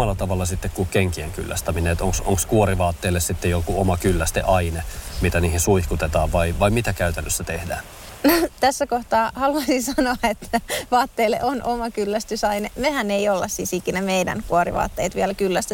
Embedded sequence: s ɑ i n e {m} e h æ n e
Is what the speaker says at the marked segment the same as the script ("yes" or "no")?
yes